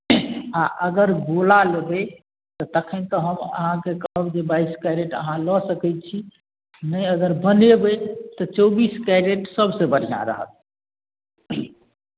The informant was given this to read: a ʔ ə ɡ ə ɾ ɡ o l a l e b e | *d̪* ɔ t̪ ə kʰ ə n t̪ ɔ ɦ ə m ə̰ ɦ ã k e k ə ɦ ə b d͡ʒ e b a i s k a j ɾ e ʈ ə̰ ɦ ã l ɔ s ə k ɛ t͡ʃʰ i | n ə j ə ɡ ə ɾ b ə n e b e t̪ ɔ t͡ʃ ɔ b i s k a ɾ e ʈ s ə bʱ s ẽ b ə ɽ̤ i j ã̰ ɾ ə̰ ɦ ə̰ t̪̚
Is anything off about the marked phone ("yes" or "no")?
yes